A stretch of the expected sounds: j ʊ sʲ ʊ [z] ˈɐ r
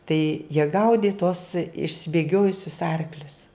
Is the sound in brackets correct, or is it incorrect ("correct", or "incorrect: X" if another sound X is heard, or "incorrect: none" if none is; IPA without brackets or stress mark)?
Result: incorrect: s